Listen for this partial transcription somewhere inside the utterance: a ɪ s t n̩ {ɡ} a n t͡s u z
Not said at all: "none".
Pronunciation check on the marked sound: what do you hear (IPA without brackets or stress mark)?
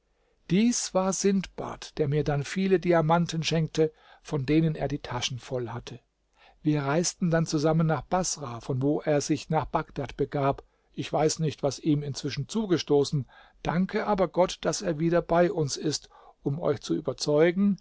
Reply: d